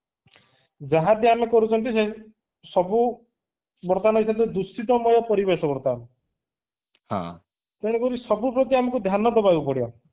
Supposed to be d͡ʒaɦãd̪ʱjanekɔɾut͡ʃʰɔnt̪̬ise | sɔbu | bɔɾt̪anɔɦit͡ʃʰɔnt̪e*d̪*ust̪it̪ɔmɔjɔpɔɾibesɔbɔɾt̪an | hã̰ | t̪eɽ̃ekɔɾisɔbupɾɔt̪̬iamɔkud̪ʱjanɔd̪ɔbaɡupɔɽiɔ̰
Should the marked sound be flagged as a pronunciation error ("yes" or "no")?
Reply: no